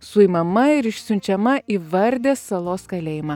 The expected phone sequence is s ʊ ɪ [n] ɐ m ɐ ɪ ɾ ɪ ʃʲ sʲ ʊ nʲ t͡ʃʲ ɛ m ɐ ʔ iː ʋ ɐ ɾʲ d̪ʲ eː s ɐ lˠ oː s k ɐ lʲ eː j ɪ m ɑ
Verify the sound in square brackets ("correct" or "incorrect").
incorrect